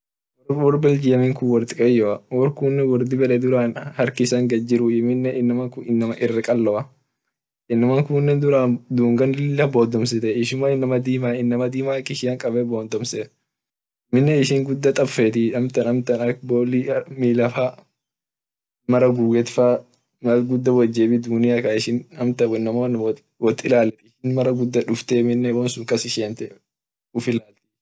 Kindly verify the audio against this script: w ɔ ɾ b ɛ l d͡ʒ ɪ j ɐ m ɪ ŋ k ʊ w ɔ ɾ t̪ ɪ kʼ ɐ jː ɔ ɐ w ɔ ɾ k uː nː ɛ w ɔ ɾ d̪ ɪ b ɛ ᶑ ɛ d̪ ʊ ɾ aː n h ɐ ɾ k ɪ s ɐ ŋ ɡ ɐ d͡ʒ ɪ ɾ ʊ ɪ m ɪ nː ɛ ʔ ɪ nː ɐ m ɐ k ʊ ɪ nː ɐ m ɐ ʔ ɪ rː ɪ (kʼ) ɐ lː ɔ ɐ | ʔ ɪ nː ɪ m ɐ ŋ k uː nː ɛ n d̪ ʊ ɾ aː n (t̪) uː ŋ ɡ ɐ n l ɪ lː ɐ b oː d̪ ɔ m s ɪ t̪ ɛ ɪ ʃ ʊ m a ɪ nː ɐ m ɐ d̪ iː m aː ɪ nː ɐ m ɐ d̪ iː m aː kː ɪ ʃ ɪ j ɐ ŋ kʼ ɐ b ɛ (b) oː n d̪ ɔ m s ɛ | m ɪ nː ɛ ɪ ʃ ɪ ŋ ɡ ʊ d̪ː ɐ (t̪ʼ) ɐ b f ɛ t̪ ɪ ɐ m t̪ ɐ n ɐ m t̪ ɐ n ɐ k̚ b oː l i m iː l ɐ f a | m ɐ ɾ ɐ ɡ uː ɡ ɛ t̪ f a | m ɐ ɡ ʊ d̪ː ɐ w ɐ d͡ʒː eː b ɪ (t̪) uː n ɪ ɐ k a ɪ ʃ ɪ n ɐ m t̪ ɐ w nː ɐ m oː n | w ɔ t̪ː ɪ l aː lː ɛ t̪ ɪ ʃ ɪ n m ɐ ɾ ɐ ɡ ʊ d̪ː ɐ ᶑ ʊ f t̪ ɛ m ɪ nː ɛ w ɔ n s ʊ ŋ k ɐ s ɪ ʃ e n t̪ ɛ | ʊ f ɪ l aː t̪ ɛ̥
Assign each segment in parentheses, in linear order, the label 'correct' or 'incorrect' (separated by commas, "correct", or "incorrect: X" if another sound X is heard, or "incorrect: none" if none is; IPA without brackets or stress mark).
correct, incorrect: d̪, correct, correct, incorrect: d̪